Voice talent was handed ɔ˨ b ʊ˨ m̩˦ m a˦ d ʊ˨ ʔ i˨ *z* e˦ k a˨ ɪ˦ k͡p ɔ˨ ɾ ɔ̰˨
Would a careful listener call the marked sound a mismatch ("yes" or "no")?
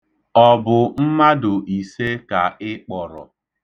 yes